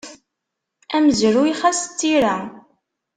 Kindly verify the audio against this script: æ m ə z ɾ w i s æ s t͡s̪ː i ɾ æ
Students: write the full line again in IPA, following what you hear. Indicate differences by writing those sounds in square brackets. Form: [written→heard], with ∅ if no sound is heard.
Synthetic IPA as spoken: æ m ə z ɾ [w→u] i [s→χ] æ s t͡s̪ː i ɾ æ